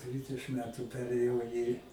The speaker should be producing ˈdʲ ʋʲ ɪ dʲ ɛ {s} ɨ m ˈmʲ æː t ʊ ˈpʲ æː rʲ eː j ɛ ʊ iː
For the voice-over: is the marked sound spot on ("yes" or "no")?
no